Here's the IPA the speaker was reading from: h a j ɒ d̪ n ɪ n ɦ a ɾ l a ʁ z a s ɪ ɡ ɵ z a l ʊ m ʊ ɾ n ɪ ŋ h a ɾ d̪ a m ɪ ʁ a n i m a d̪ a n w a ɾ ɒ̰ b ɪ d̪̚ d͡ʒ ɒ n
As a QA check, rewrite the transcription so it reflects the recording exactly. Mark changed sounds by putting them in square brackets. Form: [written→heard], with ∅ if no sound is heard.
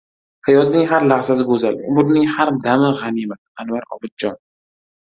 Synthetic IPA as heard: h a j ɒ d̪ n ɪ [n→ŋ] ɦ a ɾ l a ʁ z a s ɪ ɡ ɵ z a l ʊ m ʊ ɾ n ɪ ŋ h a ɾ d̪ a m ɪ ʁ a n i m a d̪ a n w a ɾ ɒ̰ b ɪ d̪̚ d͡ʒ ɒ n

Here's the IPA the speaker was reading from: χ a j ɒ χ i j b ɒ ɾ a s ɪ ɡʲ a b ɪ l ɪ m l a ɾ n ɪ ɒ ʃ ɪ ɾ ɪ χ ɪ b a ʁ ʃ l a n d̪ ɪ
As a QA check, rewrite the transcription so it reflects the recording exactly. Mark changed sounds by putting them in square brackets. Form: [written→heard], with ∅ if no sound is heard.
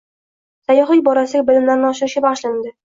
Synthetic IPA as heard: [χ→s] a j ɒ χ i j b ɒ ɾ a s ɪ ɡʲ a b ɪ l ɪ m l a ɾ n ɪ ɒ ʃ ɪ ɾ ɪ [χ→ʃ] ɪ b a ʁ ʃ l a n d̪ ɪ

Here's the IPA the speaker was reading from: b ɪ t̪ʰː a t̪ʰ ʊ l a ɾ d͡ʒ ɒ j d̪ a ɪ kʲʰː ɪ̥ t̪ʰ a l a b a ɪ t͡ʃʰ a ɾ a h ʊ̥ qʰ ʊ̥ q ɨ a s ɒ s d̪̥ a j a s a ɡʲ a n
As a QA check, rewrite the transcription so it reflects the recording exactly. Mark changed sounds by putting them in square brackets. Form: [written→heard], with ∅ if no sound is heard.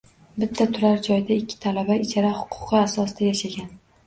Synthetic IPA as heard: b ɪ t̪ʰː a t̪ʰ ʊ [l→ɾ] a ɾ d͡ʒ ɒ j d̪ a ɪ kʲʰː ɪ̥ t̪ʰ a l a b a ɪ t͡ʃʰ a ɾ a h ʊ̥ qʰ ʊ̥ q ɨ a s ɒ s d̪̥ a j a [s→ʃ] a ɡʲ a n

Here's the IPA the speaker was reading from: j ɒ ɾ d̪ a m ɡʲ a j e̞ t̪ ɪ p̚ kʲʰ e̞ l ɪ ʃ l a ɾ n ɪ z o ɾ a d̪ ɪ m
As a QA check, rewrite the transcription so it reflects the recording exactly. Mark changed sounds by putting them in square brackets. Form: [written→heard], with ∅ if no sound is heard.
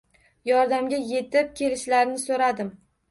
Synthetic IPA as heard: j ɒ ɾ d̪ a m ɡʲ a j e̞ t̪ ɪ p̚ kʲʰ e̞ l ɪ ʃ l a ɾ n ɪ [z→s] o ɾ a d̪ ɪ m

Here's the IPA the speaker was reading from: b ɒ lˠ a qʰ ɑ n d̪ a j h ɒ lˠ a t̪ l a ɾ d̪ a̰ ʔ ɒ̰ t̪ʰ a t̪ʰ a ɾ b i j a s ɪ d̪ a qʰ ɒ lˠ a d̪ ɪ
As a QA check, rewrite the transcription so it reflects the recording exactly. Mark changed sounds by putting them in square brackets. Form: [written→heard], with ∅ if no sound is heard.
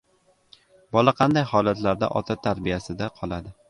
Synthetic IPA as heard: b ɒ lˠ a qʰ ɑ n d̪ a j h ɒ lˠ a t̪ l a ɾ d̪ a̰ ʔ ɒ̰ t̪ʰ a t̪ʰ a ɾ b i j a s ɪ d̪ a qʰ ɒ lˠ a d̪ ɪ

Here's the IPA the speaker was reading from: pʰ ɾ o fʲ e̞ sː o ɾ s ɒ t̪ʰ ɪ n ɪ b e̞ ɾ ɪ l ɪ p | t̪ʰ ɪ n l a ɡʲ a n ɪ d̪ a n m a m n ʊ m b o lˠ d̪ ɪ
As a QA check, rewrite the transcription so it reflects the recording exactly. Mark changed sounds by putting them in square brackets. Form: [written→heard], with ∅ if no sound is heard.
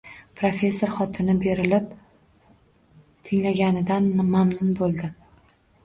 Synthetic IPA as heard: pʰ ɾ o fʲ e̞ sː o ɾ [s→χ] ɒ t̪ʰ ɪ n ɪ b e̞ ɾ ɪ l ɪ p | t̪ʰ ɪ [n→ŋ] l a ɡʲ a n ɪ d̪ a n m a m n ʊ [m→n] b o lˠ d̪ ɪ

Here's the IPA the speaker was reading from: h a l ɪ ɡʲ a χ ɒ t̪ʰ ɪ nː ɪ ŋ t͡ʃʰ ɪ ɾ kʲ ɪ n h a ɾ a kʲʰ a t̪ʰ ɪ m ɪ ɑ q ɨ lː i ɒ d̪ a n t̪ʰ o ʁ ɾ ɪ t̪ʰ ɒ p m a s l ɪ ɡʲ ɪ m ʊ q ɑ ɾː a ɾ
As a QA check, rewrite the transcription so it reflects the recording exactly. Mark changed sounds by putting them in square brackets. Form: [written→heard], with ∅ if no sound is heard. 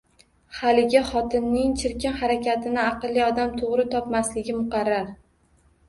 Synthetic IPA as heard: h a l ɪ ɡʲ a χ ɒ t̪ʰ ɪ nː ɪ ŋ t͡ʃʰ ɪ ɾ kʲ ɪ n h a ɾ a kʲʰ a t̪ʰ ɪ [m→n] ɪ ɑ q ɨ lː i ɒ d̪ a [n→m] t̪ʰ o ʁ ɾ ɪ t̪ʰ ɒ p m a s l ɪ ɡʲ ɪ m ʊ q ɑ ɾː a ɾ

